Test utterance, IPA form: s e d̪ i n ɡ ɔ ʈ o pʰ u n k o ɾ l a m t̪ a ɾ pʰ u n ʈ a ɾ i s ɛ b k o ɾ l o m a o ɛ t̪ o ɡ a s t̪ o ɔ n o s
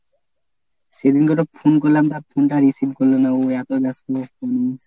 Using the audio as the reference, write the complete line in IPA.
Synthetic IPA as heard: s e d̪ i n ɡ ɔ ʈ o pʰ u n k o ɾ l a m t̪ a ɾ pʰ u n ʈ a ɾ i s i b k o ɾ l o n a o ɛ t̪ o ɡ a s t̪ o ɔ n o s

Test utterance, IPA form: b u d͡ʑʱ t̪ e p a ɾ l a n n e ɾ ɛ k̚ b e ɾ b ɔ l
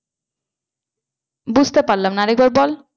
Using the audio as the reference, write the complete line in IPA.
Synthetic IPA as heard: b u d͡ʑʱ t̪ e p a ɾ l a m n a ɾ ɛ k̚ b a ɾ b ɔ l

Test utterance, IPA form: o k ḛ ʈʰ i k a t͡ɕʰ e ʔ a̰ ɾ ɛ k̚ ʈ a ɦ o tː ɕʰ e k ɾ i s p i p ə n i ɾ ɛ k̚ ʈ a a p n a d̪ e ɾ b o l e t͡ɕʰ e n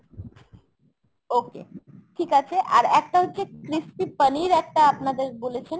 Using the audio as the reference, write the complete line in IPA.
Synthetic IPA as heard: o k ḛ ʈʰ i k a t͡ɕʰ e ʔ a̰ ɾ ɛ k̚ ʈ a ɦ o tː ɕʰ e k ɾ i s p i p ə n i ɾ ɛ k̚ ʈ a a p n a d̪ e ɾ b o l e t͡ɕʰ e n

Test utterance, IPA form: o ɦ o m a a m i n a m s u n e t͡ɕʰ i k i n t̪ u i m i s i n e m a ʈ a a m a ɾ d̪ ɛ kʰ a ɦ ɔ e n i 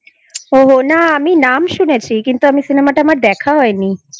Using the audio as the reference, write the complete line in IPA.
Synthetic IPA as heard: o ɦ o n a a m i n a m ʃ u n e t͡ɕʰ i k i n t̪ u a m i s i n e m a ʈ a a m a ɾ d̪ ɛ kʰ a ɦ ɔ e n i

